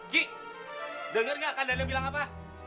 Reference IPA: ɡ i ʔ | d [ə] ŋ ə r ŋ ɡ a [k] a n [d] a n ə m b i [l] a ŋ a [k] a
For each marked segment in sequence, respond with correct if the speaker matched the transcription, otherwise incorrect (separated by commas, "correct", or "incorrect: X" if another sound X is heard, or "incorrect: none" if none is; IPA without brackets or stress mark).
correct, correct, correct, correct, incorrect: p